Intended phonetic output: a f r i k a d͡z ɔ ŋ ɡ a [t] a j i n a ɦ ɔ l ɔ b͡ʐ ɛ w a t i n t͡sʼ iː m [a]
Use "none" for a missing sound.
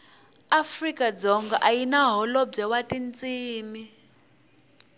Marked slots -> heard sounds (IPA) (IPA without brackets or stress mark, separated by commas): ʔ, i